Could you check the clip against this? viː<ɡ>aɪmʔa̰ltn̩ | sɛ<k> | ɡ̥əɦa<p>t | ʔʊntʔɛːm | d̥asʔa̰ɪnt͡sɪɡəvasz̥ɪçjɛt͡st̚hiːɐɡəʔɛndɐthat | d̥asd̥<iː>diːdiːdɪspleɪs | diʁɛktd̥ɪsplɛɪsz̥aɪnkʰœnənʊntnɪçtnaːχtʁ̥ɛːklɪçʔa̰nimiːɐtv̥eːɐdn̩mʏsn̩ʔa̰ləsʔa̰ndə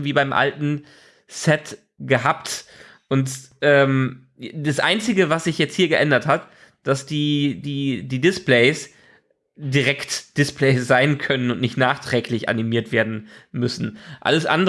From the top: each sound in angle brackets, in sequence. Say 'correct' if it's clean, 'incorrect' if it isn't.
incorrect, incorrect, correct, correct

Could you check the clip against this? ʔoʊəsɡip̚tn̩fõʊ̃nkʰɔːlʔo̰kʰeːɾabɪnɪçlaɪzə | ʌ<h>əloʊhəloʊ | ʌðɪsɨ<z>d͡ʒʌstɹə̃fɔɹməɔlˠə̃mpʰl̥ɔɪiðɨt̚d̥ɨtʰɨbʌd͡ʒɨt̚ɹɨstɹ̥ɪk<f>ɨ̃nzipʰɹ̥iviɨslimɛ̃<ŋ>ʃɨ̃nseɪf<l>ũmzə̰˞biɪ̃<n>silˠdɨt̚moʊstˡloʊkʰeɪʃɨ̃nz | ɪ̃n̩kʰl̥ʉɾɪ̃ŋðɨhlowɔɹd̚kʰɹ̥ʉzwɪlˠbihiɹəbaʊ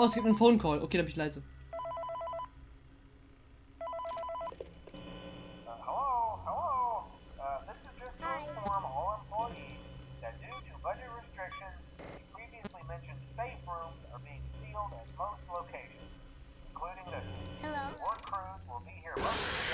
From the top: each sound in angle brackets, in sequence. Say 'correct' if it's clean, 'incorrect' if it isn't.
correct, correct, incorrect, incorrect, incorrect, incorrect

